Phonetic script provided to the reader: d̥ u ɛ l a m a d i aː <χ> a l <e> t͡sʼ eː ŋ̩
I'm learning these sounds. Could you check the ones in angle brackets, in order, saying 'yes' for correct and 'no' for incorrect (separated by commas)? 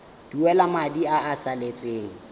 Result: no, yes